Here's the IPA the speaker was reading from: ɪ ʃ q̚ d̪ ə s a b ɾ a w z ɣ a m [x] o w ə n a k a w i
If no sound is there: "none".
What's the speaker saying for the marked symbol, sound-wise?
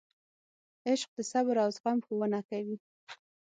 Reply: x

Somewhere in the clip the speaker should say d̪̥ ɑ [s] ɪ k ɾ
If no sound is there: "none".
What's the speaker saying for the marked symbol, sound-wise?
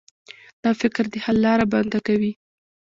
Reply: f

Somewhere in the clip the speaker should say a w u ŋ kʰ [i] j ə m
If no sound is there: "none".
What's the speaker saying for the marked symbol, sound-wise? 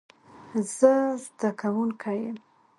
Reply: a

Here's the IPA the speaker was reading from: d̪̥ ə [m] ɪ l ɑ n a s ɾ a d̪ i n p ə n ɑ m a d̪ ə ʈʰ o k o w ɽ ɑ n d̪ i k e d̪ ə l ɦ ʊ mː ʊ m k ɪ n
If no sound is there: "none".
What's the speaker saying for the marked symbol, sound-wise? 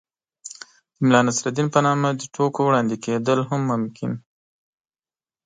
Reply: m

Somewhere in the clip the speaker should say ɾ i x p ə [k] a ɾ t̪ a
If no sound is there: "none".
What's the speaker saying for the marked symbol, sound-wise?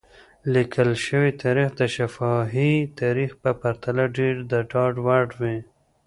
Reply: p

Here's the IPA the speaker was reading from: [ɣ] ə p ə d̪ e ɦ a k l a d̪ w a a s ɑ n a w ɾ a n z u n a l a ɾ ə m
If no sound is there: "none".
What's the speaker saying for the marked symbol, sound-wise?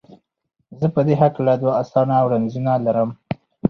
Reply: z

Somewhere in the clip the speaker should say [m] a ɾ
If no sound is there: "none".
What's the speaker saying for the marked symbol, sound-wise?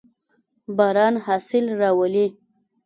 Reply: b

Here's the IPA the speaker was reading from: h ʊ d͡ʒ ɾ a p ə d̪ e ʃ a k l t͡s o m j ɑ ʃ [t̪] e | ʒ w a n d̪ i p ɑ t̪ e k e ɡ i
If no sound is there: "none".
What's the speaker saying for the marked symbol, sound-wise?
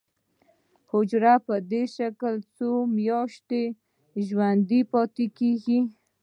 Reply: t̪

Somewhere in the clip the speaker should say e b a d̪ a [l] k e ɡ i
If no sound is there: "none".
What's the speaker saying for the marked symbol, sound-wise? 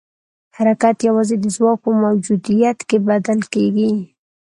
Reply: l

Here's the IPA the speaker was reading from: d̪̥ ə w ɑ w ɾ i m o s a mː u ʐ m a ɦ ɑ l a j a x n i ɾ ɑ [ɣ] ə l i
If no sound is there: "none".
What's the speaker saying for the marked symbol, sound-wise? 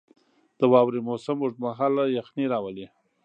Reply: w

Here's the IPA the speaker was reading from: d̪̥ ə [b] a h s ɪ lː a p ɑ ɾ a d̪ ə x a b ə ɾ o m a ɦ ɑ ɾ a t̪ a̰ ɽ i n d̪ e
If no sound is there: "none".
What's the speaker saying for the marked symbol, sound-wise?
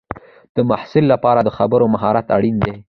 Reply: m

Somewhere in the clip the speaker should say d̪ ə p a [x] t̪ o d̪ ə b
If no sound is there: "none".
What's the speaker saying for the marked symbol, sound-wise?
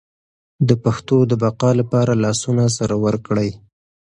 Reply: x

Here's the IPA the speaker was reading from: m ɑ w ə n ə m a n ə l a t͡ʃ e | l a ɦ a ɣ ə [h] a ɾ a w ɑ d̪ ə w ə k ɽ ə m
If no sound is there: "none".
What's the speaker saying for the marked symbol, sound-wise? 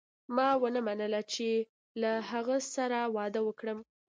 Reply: s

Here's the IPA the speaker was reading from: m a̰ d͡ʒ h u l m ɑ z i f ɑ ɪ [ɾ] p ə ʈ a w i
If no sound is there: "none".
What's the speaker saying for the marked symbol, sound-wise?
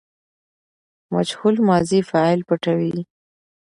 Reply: l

